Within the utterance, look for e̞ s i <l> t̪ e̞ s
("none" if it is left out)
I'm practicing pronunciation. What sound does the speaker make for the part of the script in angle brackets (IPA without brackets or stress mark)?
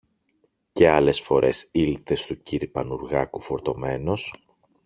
l